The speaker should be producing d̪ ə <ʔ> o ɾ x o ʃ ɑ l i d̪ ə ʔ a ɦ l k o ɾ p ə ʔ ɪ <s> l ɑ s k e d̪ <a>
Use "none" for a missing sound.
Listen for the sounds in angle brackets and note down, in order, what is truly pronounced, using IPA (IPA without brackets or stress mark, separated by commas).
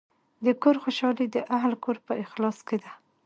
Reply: k, x, a